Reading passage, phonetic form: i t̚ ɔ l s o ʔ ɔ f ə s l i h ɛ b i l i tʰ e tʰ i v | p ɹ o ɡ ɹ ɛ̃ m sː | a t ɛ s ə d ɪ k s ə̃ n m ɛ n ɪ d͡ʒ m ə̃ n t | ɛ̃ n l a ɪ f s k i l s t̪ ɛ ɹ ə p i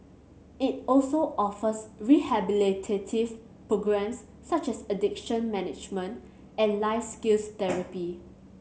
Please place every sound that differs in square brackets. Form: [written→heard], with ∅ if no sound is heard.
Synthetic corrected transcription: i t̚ ɔ l s o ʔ ɔ f ə s [l→ɹ] i h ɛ b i l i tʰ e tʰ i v | p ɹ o ɡ ɹ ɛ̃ m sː | a [t→t͡ʃ] ɛ s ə d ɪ k [s→ʃ] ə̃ n m ɛ n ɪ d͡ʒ m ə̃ n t | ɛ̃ n l a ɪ f s k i l s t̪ ɛ ɹ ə p i

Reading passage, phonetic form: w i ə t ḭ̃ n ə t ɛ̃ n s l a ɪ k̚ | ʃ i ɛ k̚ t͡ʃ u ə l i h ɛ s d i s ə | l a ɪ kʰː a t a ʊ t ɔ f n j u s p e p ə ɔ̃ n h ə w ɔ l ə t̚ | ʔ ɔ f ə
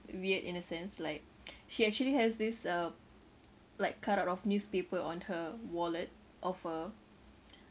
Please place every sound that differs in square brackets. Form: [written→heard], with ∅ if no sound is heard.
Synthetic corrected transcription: w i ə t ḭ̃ n ə [t→s] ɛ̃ n s l a ɪ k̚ | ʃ i ɛ k̚ t͡ʃ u ə l i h ɛ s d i s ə | l a ɪ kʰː a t a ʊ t ɔ f n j u s p e p ə ɔ̃ n h ə w ɔ l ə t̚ | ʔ ɔ f ə

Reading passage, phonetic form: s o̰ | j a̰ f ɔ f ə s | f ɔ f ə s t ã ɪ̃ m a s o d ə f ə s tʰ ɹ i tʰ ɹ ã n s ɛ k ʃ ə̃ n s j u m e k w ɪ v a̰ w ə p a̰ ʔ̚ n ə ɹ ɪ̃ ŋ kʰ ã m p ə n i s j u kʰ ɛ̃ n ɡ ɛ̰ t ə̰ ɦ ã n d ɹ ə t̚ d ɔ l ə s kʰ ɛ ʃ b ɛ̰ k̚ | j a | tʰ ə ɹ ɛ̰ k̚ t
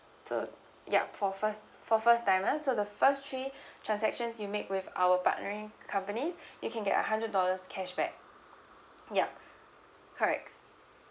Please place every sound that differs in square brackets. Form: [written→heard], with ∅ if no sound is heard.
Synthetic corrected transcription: s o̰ | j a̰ f ɔ f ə s | f ɔ f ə s t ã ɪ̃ m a s o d ə f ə s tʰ ɹ i tʰ ɹ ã n s ɛ k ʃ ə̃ n s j u m e k w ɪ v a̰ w ə p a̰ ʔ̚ n ə ɹ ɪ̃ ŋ kʰ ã m p ə n i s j u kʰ ɛ̃ n ɡ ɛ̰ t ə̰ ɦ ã n d ɹ ə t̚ d ɔ l ə s kʰ ɛ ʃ b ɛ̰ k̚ | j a | [tʰ→kʰ] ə ɹ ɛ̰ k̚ t

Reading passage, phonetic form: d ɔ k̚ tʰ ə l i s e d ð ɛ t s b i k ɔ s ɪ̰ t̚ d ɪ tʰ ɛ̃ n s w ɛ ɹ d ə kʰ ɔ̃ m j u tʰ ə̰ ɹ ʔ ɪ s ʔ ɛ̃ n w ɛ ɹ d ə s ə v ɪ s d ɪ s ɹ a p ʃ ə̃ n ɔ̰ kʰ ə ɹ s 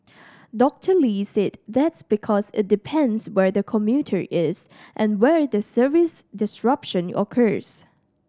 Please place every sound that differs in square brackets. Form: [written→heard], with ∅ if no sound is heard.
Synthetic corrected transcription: d ɔ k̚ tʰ ə l i s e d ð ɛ t s b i [k→kʰ] ɔ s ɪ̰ t̚ d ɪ [tʰ→pʰ] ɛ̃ n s w ɛ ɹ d ə kʰ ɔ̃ m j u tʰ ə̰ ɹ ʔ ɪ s ʔ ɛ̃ n w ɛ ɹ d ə s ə v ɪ s d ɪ s ɹ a p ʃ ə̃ n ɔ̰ kʰ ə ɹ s

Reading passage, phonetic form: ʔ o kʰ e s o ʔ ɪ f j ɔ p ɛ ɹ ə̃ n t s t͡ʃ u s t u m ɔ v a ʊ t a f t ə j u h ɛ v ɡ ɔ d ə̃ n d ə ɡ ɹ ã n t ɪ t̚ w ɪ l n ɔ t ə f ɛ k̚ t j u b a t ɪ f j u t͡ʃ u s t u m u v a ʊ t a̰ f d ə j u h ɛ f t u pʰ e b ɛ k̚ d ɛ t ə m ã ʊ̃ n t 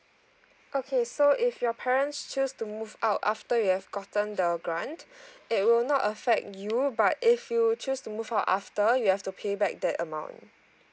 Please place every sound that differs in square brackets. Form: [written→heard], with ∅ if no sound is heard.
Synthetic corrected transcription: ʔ o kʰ e s o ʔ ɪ f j ɔ [p→pʰ] ɛ ɹ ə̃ n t s t͡ʃ u s t u m [ɔ→u] v a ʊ t a f t ə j u h ɛ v ɡ ɔ [d→t] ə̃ n d ə ɡ ɹ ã n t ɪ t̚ w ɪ l n ɔ t ə f ɛ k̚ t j u b a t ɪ f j u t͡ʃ u s t u m u v a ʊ t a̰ f [d→t] ə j u h ɛ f t u pʰ e b ɛ k̚ d ɛ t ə m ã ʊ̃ n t

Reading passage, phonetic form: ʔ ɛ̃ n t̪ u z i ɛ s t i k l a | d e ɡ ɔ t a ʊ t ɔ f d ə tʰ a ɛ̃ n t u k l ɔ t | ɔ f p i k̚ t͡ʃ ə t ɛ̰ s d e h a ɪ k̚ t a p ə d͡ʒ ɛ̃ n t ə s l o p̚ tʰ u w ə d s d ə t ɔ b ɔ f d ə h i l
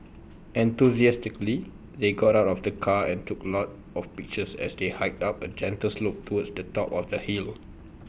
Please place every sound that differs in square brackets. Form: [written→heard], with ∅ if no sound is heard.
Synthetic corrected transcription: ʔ ɛ̃ n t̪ u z i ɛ s t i k l [a→i] | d e ɡ ɔ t a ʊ t ɔ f d ə [tʰ→kʰ] a ɛ̃ n t u k l ɔ t | ɔ f p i k̚ t͡ʃ ə [t→s] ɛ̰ s d e h a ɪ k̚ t a p ə d͡ʒ ɛ̃ n t ə s l o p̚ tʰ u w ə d s d ə t ɔ [b→p] ɔ f d ə h i l

